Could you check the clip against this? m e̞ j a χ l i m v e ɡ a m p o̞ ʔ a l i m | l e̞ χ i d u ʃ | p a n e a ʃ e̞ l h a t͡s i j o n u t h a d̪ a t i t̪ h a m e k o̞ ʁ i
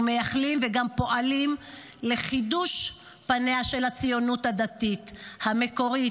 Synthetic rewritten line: m e̞ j a χ l i m v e ɡ a m p o̞ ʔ a l i m | l e̞ χ i d u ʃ | p a n e a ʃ e̞ l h a t͡s i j o n u t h a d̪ a t i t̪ h a m e k o̞ ʁ i